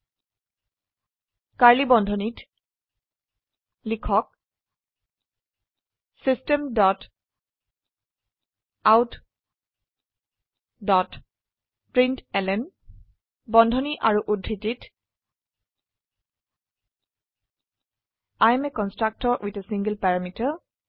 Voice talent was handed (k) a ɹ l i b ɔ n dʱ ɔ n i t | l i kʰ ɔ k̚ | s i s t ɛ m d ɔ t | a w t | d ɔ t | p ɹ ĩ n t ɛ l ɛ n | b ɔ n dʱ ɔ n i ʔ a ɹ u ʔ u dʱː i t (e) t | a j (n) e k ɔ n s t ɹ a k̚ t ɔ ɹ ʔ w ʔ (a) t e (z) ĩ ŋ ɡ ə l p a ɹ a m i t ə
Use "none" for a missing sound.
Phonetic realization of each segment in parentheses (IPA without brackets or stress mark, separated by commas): k, i, m, i, s